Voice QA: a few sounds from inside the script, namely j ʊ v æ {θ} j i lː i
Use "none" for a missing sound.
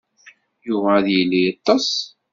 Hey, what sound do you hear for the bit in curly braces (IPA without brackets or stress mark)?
ð